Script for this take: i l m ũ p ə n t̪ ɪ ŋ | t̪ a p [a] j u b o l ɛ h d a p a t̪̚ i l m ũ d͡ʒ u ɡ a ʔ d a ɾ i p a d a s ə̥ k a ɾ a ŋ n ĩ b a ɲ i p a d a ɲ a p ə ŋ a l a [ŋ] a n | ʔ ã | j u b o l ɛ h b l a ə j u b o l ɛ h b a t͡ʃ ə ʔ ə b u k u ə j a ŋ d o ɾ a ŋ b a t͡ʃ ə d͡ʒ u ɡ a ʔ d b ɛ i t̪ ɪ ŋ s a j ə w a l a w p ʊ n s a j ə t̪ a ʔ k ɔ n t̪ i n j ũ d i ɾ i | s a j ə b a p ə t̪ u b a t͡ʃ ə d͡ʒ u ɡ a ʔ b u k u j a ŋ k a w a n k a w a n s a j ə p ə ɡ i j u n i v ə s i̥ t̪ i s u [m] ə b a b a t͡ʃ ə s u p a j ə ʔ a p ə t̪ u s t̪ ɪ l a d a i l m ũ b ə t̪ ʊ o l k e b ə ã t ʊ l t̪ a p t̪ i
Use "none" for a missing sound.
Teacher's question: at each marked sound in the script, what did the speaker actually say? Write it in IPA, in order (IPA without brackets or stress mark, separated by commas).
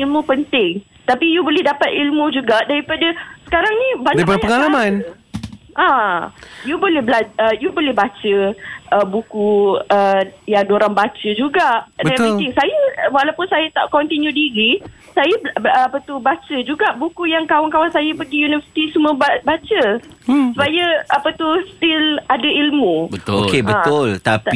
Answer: i, m, m